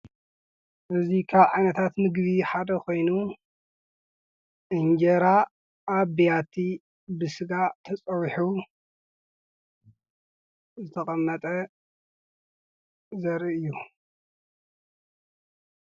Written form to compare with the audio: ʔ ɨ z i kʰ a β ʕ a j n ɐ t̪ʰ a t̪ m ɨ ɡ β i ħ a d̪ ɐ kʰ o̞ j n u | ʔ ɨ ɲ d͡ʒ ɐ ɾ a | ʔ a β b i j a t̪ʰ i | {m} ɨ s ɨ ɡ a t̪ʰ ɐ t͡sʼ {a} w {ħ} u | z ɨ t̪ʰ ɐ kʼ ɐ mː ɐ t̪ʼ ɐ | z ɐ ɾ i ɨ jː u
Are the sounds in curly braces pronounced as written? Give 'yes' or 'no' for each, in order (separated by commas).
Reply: no, no, yes